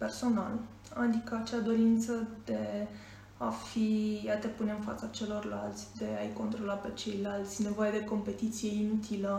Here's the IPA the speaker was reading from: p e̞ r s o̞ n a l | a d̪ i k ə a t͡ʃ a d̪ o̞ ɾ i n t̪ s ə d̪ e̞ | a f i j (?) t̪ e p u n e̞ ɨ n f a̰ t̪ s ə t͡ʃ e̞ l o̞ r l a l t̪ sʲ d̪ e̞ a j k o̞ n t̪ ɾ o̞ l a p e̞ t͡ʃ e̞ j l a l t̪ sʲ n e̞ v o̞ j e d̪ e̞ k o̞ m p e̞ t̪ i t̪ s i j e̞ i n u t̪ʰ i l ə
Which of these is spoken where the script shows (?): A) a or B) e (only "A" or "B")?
A